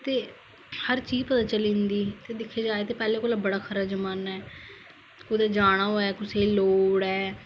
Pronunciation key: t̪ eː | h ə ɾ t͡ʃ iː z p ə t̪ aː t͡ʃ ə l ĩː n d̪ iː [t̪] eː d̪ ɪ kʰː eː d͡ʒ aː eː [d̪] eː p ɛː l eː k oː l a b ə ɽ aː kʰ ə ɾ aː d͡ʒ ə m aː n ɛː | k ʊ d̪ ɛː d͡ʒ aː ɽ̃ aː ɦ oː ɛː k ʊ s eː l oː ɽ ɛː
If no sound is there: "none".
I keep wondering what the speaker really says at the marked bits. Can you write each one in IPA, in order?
t̪, t̪

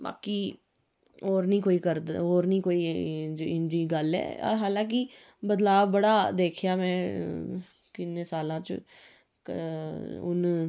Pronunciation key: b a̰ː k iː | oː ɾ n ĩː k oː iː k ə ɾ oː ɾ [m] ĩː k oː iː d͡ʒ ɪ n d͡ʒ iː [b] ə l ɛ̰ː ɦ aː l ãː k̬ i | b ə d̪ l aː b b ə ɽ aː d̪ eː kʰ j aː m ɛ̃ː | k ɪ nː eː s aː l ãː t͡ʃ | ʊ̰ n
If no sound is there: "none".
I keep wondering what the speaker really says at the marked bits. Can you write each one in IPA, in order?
n, ɡ

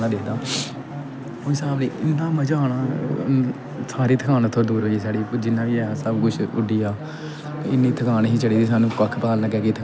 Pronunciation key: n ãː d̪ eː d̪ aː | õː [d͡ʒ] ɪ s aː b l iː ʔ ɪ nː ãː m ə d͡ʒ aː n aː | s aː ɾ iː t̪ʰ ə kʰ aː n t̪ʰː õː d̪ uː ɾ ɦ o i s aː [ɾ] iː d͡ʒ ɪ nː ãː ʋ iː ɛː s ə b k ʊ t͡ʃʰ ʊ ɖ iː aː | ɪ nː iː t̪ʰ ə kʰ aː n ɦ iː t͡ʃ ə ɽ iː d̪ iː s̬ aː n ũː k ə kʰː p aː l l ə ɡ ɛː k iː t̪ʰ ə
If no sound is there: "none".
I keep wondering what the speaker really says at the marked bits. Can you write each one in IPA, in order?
none, ɽ

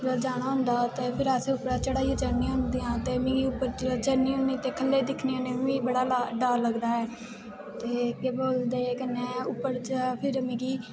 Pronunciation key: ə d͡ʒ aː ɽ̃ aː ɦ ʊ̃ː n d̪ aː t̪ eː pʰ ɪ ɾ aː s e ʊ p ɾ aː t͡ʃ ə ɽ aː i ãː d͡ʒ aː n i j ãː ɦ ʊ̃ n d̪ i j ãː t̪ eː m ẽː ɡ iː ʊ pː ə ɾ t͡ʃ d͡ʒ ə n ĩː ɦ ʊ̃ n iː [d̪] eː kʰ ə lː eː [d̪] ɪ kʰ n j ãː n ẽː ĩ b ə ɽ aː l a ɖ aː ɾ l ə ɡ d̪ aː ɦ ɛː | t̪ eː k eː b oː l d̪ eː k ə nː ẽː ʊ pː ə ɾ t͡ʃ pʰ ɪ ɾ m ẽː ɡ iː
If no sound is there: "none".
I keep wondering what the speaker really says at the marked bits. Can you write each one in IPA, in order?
t̪, d̪

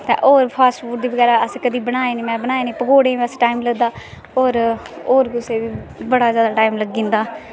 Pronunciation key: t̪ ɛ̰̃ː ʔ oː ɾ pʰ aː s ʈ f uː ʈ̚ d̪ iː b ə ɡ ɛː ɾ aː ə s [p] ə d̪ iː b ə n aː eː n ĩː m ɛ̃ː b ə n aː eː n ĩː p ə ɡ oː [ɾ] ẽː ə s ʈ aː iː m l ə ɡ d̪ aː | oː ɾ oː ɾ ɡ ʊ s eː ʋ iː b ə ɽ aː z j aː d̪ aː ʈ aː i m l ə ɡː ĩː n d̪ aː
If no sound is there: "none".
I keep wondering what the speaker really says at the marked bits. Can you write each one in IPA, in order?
k, ɽ

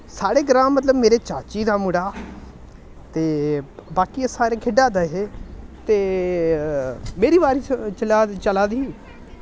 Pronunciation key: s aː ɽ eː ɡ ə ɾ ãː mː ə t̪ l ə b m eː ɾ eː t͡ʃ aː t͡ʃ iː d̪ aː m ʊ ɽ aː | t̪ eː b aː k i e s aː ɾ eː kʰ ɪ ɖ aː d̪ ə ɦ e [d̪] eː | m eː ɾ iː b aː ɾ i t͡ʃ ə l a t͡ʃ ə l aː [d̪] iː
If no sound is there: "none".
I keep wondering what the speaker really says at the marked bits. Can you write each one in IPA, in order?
t̪, d̪

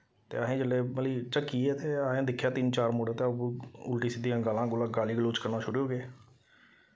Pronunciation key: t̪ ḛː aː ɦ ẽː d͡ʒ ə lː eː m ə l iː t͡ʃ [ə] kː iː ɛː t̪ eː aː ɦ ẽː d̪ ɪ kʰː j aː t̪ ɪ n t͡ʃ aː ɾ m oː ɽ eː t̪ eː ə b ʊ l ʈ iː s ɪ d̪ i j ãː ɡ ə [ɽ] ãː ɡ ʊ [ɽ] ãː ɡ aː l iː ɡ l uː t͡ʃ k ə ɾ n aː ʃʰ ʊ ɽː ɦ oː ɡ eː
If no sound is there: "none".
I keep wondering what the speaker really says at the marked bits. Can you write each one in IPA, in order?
ə, l, l

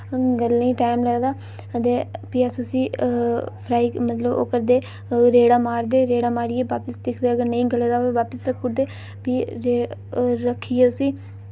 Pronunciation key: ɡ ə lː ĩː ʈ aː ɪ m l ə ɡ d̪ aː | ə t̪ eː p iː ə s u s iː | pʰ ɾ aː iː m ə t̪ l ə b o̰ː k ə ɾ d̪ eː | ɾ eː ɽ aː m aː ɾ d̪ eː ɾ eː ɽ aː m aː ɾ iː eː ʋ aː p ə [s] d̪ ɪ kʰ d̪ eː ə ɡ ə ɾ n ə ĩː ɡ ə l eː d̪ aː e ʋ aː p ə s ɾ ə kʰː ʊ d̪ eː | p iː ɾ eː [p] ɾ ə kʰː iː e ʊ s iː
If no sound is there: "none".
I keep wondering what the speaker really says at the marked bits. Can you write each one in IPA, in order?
s, none

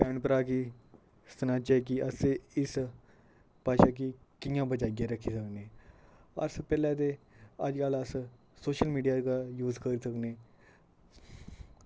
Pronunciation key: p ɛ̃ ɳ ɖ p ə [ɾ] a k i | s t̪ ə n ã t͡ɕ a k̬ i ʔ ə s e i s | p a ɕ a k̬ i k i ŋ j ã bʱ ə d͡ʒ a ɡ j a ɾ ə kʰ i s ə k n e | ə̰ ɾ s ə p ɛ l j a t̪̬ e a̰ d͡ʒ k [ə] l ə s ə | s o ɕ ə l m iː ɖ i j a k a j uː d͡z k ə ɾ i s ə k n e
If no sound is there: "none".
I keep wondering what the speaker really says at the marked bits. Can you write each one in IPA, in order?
ɾ, a

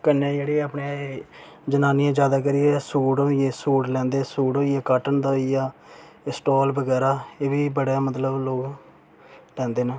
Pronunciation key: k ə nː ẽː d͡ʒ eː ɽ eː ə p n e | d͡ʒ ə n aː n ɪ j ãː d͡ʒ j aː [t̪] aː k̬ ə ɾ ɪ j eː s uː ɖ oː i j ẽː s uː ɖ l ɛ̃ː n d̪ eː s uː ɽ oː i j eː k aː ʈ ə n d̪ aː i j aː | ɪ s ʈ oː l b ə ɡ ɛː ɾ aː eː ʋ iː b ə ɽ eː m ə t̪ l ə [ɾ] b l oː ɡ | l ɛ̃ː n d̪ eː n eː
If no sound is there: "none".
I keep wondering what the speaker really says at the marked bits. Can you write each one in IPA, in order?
d̪, none

